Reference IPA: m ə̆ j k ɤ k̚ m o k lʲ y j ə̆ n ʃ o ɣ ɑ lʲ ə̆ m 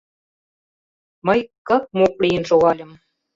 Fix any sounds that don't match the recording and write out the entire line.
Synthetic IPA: m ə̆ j k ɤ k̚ m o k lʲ i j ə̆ n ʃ o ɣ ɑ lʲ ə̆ m